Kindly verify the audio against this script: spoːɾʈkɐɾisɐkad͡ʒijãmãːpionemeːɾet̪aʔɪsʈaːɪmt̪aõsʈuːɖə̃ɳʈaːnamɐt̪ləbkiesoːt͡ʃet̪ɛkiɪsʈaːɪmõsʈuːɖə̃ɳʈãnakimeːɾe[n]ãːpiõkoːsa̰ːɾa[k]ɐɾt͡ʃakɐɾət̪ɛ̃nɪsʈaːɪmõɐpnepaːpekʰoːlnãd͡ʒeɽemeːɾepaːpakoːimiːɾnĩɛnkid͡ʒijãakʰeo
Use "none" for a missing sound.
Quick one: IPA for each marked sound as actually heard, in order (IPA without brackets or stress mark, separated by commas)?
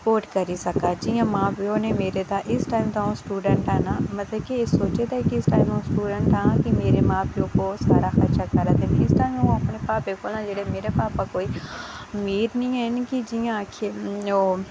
m, x